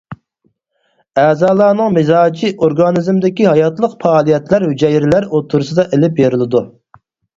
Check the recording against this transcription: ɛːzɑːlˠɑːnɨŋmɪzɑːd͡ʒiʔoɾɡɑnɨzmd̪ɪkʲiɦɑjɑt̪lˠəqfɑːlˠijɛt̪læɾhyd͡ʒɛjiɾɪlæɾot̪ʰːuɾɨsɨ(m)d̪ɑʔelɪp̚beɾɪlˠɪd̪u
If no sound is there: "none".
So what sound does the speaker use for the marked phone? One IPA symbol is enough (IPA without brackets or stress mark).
none